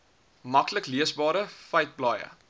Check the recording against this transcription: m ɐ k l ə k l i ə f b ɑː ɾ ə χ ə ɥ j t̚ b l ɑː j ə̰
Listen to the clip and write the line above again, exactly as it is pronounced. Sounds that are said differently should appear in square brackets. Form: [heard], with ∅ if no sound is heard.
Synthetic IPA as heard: m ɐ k l ə k l i ə [s] b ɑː ɾ ə [f] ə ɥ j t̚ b l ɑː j ə̰